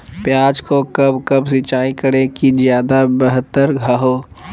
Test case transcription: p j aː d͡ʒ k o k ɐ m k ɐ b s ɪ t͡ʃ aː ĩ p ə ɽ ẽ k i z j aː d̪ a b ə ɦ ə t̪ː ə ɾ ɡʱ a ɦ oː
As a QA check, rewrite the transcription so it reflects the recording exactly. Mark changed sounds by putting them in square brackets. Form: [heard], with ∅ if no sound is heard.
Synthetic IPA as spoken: p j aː d͡ʒ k o k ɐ [b] k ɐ b s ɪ t͡ʃ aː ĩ [k] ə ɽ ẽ k i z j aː d̪ a b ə ɦ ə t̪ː ə ɾ ɡʱ a ɦ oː